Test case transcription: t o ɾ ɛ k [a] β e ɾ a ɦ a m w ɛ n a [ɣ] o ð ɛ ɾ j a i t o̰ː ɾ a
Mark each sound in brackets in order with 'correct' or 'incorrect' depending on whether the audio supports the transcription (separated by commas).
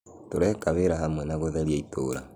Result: correct, correct